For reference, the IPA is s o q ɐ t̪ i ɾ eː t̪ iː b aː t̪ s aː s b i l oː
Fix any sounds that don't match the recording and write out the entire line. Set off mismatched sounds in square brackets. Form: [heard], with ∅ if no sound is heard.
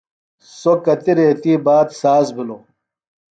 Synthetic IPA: s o [k] ɐ t̪ i ɾ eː t̪ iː b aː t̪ s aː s b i l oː